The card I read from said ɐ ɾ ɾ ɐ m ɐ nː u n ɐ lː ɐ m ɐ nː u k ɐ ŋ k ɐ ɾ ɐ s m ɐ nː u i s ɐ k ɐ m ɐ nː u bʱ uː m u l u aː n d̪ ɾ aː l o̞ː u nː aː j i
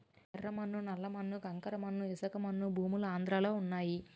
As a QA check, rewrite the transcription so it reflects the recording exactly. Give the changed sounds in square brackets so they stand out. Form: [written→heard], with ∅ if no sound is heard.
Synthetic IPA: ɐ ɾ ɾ ɐ m ɐ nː u n ɐ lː ɐ m ɐ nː u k ɐ ŋ k ɐ ɾ ɐ [s→∅] m ɐ nː u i s ɐ k ɐ m ɐ nː u bʱ uː m u l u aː n d̪ ɾ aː l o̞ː u nː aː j i